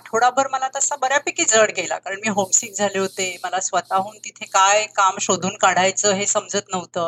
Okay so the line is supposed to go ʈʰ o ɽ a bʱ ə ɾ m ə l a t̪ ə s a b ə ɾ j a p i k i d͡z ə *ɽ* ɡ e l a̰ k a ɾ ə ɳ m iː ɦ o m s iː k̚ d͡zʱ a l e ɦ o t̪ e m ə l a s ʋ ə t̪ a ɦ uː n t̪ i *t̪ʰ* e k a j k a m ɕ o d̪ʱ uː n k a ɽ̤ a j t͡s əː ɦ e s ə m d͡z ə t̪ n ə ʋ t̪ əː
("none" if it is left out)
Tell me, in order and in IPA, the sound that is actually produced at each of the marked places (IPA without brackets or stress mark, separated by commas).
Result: ɽ, t̪ʰ